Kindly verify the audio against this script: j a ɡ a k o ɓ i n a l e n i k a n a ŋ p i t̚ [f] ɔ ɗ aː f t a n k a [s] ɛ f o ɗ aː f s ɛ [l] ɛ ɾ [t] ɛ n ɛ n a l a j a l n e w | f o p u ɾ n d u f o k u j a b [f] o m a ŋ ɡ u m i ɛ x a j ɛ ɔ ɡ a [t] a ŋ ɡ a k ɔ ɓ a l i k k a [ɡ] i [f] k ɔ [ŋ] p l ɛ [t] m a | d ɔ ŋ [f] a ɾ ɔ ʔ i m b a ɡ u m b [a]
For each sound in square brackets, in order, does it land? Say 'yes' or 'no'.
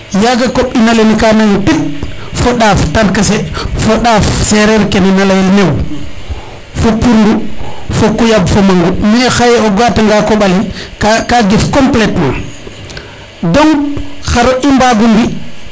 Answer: yes, yes, no, no, yes, yes, yes, yes, no, yes, no, no

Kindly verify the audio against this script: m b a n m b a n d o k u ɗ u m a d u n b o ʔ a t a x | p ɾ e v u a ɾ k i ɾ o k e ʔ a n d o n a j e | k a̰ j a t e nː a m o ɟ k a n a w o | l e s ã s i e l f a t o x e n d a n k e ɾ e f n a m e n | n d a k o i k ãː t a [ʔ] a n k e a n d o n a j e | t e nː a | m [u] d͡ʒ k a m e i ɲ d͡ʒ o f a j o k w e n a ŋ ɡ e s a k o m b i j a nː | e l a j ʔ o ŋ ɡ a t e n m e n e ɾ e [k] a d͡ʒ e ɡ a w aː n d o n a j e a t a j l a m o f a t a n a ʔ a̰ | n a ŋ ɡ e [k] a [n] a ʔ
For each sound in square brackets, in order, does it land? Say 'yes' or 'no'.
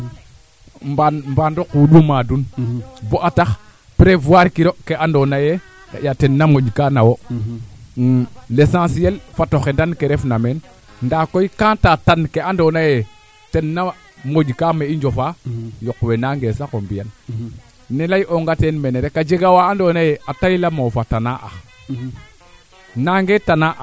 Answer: no, no, yes, no, yes

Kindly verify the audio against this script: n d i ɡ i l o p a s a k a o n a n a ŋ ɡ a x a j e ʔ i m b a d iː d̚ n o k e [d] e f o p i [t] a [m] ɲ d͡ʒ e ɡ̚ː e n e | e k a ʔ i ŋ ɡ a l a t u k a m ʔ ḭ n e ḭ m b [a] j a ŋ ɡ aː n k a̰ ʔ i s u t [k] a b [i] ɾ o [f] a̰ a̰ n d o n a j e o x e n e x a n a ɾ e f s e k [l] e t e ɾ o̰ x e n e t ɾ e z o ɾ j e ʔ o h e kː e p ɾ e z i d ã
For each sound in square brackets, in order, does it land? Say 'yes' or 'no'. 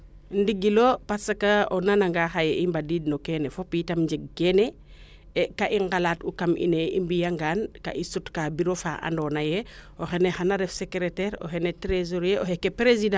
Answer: no, yes, yes, no, yes, yes, yes, no

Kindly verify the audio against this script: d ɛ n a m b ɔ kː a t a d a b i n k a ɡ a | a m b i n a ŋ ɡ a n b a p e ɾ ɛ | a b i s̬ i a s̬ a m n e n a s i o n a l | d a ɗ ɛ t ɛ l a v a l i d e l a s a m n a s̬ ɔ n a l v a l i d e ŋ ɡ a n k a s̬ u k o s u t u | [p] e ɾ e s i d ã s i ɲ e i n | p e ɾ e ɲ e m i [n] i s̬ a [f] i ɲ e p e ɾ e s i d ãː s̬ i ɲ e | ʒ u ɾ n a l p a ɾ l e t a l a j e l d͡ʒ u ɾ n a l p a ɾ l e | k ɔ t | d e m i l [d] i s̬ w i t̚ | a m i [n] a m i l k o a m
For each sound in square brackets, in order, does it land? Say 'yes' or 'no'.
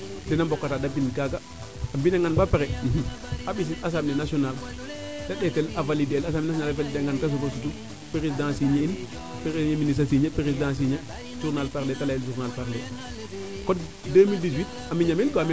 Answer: yes, yes, no, yes, no

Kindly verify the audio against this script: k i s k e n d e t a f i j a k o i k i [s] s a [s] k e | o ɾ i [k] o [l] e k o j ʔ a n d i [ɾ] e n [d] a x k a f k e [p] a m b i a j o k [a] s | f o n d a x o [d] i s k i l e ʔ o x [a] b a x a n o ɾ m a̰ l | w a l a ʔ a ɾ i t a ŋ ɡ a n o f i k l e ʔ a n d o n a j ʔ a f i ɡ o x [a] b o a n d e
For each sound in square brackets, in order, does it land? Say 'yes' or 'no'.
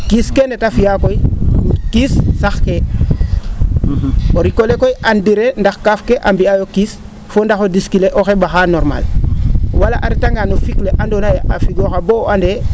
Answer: yes, no, yes, yes, yes, yes, no, no, yes, no, yes

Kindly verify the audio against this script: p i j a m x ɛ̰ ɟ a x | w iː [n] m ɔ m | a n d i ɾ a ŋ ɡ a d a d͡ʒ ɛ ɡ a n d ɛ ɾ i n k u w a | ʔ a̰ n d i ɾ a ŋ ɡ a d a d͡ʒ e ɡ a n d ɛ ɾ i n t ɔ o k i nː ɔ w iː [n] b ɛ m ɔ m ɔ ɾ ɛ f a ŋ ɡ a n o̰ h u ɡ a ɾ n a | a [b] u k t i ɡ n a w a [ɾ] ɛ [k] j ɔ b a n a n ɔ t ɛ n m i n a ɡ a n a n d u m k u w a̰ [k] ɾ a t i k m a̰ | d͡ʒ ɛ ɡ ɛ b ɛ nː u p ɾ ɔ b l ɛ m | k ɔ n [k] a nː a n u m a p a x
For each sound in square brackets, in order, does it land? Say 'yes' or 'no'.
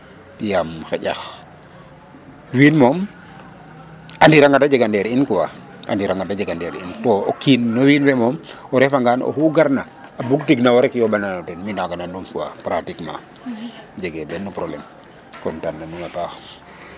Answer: yes, yes, yes, yes, yes, no, no

